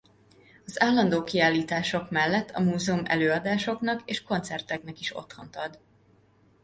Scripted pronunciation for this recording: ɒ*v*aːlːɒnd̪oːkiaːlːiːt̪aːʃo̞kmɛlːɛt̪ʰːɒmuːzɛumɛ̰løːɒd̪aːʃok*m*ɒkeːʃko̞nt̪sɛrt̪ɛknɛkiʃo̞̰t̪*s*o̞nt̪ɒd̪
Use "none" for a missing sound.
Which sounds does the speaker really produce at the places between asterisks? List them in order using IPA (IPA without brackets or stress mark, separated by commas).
z, n, h